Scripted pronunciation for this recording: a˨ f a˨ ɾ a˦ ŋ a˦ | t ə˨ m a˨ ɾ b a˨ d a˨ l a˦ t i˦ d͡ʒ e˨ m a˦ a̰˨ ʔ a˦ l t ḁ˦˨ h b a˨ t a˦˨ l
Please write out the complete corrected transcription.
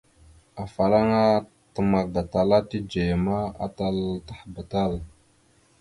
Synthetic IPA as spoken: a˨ f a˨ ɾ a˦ ŋ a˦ | t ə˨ m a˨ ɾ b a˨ t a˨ l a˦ t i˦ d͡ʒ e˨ m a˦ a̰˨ t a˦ l t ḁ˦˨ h b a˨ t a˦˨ l

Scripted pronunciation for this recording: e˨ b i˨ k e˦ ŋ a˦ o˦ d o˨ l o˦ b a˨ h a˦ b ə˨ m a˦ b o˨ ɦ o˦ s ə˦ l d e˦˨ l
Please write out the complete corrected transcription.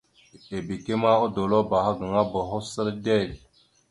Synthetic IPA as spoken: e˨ b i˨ k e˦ m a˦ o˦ d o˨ l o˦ b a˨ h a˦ ɡ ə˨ ŋ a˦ b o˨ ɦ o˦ s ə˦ ɾ d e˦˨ l

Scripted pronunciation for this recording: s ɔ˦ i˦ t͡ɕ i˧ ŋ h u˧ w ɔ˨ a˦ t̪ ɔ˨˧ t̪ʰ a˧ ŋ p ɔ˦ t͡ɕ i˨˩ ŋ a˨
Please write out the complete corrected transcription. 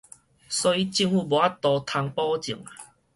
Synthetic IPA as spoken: s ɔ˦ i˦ t͡ɕ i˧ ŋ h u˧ b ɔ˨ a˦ t̪ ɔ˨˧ t̪ʰ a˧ ŋ p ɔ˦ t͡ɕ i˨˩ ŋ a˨

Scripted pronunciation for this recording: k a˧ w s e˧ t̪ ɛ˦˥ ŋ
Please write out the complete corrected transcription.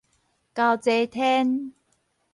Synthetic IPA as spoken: k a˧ w t͡s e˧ t̪ʰ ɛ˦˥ n

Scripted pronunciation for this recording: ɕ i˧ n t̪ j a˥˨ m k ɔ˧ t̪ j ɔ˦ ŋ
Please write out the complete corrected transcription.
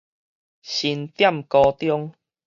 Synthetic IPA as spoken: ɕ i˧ n t̪ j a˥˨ m k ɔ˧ t̪ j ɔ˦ ŋ

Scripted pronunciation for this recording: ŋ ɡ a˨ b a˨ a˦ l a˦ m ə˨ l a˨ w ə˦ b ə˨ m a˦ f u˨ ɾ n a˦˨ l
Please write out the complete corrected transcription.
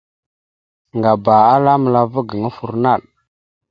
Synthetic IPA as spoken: ŋ ɡ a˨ b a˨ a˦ l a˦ m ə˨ l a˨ v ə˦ ɡ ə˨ ŋ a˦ f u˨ ɾ n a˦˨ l

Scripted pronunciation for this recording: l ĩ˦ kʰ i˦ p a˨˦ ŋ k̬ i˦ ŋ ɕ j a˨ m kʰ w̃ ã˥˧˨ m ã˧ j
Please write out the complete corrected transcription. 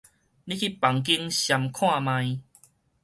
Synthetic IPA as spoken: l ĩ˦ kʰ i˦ p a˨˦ ŋ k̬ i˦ ŋ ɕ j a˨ m kʰ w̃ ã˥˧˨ m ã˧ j

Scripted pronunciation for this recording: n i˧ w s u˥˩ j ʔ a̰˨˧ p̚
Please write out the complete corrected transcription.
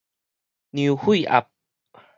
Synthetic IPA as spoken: n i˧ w h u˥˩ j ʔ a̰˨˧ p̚

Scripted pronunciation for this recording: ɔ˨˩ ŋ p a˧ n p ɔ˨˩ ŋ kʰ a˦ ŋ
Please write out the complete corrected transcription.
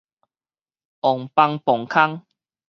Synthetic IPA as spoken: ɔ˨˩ ŋ p a˧ ŋ p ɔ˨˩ ŋ kʰ a˦ ŋ

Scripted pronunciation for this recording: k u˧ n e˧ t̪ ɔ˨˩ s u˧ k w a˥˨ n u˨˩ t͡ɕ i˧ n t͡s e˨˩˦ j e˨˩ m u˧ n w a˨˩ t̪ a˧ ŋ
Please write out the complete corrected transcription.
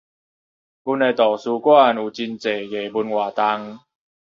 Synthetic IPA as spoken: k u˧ n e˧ t̪ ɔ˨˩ s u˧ k w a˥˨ n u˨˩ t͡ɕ i˧ n t͡s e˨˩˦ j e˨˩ b u˧ n w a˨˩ t̪ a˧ ŋ

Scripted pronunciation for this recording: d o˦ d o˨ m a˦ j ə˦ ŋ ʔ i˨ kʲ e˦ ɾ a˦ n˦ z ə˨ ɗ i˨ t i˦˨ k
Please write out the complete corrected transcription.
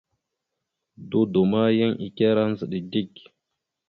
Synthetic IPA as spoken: d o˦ d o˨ m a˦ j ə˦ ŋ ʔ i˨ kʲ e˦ ɾ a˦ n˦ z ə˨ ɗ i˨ d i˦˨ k

